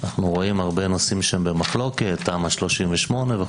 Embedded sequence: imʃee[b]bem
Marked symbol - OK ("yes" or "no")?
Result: no